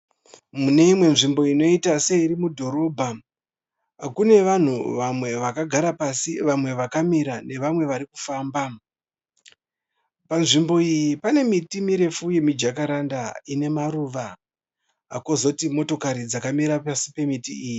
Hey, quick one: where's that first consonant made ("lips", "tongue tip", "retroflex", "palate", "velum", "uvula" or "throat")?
lips